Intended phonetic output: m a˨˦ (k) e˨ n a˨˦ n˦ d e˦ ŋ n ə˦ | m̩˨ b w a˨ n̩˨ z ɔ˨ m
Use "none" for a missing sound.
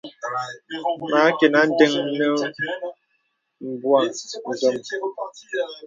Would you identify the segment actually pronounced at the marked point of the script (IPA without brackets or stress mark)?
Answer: k